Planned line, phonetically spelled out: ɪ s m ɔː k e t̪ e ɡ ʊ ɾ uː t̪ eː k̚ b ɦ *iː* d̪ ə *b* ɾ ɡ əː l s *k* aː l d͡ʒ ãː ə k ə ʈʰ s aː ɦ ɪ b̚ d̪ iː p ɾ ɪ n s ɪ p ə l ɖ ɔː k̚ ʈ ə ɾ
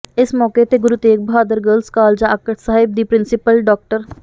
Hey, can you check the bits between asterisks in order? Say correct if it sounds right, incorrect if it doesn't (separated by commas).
incorrect, incorrect, correct